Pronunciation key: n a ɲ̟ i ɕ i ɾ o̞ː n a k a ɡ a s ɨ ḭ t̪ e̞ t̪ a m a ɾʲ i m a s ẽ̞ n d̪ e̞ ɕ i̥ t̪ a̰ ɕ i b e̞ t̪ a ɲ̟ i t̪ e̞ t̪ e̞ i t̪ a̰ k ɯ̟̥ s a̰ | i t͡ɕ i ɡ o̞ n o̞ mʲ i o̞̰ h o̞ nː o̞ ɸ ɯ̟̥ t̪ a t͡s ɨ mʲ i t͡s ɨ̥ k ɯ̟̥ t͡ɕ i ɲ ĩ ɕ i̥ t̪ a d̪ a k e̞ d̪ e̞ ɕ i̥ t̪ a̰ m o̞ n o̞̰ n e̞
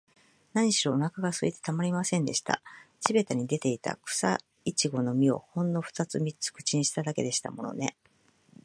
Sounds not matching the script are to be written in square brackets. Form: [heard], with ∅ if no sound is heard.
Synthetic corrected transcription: n a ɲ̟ i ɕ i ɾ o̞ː n a k a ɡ a s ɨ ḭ t̪ e̞ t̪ a m a ɾʲ i m a s ẽ̞ n d̪ e̞ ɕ i̥ t̪ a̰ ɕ i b e̞ t̪ a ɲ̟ i [d̪] e̞ t̪ e̞ i t̪ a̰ k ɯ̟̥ s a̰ | i t͡ɕ i ɡ o̞ n o̞ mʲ i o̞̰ h [õ̞] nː o̞ ɸ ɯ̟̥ t̪ a t͡s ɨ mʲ i t͡s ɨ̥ k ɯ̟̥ t͡ɕ i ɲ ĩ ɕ i̥ t̪ a d̪ a k e̞ d̪ e̞ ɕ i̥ t̪ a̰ m o̞ n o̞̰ n e̞